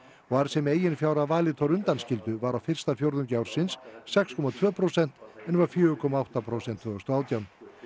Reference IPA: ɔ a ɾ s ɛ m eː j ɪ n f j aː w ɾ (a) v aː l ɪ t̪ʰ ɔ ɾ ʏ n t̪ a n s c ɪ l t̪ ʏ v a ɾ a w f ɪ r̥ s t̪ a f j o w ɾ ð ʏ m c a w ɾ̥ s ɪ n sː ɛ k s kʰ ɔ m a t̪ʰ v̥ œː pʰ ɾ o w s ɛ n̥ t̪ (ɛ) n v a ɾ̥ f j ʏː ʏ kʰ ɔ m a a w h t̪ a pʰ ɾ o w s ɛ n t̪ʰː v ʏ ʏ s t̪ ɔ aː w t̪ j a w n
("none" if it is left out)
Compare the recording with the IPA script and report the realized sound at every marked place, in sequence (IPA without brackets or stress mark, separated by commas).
a, ɛ